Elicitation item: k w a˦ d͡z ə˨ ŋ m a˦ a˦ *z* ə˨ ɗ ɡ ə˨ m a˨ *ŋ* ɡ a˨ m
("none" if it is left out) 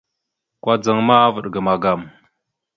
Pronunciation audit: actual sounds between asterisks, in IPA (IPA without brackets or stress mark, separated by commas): v, none